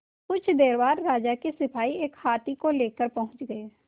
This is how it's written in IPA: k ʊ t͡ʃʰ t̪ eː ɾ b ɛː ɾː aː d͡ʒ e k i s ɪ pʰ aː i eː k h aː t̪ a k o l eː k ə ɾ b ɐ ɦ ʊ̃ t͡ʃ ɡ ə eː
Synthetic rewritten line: k ʊ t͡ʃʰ d̪ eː ɾ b aː ɾː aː d͡ʒ a k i s ɪ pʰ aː i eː k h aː t̪ i k o l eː k ə ɾ p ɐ ɦ ʊ̃ t͡ʃ ɡ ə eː